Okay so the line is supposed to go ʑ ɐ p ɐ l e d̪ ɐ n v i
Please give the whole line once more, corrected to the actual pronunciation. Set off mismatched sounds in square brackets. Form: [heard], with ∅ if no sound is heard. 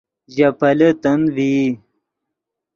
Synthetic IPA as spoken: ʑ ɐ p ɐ l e [t̪] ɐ n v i